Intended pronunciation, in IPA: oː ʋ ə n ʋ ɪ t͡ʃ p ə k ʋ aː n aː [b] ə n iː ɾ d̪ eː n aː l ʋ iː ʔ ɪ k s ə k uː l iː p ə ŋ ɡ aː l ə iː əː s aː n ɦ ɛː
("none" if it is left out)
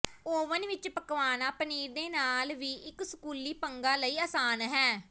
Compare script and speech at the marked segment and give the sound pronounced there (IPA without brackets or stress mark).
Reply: p